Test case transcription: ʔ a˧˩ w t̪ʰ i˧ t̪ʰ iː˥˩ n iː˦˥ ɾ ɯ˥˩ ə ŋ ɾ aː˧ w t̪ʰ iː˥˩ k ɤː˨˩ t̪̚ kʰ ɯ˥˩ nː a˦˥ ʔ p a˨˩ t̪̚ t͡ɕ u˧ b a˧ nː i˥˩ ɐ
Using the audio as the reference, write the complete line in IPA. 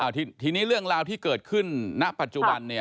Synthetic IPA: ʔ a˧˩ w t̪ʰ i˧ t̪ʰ iː˧ n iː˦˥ ɾ ɯ˥˩ ə ŋ ɾ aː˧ w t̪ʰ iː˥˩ k ɤː˨˩ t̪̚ kʰ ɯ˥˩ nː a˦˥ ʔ p a˨˩ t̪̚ t͡ɕ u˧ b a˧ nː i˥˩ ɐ